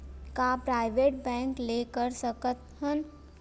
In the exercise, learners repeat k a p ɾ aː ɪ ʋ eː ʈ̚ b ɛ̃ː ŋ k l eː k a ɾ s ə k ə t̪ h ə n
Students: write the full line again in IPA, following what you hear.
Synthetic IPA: k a p ɾ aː ɪ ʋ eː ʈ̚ b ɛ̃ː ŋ k l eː k ə ɾ s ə k ə t̪ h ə n